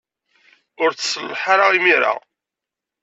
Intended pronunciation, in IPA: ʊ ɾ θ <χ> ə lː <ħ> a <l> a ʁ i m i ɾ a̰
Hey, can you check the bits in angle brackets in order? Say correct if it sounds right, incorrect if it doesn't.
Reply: incorrect, correct, incorrect

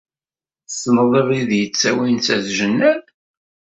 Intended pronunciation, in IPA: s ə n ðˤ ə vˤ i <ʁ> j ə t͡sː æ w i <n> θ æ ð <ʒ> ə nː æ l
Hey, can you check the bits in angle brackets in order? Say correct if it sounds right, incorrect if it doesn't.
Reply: incorrect, correct, correct

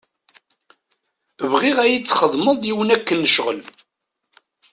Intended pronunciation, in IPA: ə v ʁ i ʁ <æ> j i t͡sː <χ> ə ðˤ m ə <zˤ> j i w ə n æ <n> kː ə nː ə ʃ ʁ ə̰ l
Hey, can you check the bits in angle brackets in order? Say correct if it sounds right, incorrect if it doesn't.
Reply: correct, correct, incorrect, incorrect

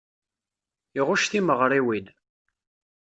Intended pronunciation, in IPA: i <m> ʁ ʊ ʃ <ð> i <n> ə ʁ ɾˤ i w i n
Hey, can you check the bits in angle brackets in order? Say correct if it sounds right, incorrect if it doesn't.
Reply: incorrect, incorrect, incorrect

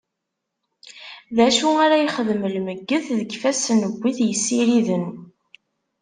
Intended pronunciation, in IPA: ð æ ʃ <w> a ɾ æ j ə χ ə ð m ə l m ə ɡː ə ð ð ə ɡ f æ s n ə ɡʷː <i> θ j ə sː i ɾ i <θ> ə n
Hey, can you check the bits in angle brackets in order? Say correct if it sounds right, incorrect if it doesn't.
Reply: incorrect, correct, incorrect

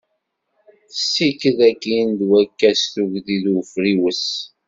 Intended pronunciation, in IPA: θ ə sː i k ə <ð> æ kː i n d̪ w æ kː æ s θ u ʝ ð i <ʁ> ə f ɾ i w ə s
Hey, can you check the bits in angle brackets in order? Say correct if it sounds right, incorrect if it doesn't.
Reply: correct, incorrect

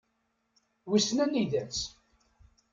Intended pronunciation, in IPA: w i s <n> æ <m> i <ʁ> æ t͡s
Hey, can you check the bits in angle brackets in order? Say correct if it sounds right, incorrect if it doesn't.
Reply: correct, incorrect, incorrect

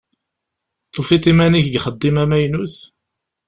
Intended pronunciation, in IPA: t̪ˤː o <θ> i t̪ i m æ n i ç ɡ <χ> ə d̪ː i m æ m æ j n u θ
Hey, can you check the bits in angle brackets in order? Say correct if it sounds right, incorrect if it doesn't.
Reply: incorrect, correct

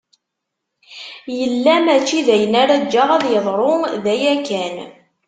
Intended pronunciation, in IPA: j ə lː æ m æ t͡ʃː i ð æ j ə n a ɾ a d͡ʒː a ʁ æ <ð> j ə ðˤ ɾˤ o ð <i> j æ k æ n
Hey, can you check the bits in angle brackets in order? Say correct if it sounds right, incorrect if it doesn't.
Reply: correct, incorrect

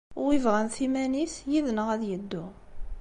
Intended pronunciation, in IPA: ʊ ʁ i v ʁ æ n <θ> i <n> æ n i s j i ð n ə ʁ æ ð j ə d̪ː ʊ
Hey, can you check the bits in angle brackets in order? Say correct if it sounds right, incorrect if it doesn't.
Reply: correct, incorrect

